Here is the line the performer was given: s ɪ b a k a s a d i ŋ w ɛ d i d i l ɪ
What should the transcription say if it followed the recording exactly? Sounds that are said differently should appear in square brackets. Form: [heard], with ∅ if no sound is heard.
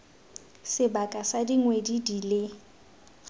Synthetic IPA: s ɪ b a [kʼ] a s a d i ŋ w [e] d i d i l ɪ